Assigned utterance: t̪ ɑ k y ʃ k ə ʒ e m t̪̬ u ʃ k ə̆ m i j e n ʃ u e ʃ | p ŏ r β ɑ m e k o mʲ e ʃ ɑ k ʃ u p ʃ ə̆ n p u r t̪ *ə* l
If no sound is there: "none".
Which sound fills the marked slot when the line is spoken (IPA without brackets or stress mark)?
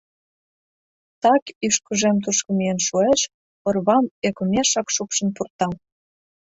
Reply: ɑ